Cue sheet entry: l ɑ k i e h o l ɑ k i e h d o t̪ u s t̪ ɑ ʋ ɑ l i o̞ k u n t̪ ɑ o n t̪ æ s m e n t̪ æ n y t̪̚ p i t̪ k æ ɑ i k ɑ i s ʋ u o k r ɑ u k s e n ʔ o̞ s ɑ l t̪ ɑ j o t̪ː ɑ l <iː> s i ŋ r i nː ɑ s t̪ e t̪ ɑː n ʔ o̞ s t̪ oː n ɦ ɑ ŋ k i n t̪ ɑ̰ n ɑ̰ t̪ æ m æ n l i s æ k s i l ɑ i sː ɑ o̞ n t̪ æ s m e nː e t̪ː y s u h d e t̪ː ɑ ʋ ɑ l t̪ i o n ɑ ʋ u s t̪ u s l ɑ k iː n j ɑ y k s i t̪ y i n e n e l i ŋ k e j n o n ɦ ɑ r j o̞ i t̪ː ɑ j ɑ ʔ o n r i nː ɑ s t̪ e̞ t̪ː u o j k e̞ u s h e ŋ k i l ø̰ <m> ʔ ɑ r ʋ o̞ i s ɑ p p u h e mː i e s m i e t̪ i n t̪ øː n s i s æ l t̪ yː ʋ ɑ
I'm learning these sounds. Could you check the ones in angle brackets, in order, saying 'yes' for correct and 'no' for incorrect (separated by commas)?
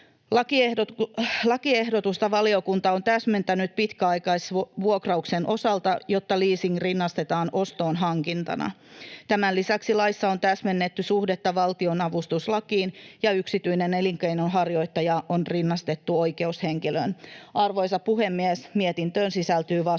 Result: yes, no